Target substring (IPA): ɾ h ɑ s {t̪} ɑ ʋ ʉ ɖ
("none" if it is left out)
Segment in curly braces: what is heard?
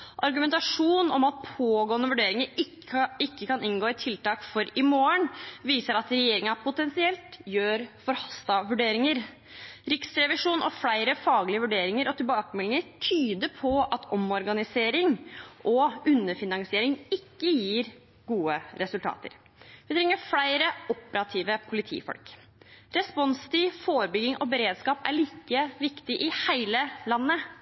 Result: t̪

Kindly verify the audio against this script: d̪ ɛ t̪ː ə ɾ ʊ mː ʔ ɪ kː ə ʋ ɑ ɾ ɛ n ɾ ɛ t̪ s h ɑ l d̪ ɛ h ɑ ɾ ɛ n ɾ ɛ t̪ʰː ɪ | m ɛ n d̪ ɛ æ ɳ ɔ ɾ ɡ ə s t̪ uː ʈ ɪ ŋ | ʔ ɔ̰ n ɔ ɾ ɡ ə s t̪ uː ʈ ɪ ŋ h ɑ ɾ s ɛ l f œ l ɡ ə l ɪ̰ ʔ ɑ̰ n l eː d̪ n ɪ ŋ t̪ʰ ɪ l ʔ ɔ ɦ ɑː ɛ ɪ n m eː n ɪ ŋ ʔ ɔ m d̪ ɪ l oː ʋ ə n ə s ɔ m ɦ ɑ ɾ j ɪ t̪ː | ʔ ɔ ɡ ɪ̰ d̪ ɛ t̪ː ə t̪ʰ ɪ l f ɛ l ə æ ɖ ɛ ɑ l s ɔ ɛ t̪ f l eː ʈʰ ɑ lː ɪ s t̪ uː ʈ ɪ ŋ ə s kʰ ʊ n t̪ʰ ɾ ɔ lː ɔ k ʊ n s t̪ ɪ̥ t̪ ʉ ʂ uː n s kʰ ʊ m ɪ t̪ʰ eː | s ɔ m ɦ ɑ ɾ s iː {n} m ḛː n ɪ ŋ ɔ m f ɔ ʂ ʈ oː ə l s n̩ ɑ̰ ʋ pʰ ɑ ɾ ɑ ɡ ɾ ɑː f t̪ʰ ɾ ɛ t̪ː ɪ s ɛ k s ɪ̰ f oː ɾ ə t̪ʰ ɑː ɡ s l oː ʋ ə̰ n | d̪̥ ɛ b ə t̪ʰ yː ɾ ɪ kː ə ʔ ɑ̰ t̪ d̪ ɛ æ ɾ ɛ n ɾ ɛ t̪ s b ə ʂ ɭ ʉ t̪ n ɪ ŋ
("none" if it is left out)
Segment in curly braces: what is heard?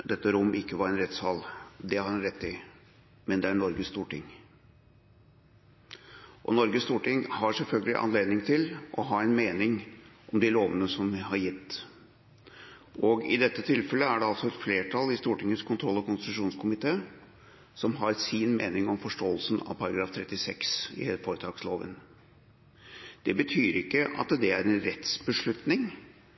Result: n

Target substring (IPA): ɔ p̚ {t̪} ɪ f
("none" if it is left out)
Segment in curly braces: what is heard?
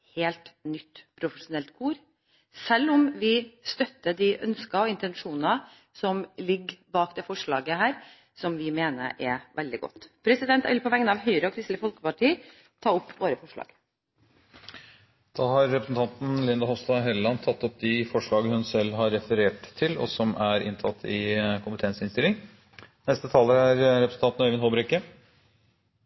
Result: d̪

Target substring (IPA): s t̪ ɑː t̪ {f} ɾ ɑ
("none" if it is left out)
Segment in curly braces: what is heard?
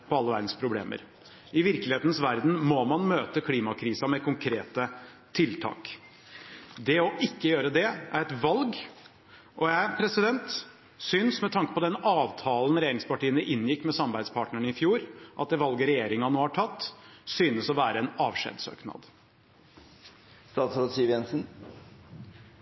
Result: s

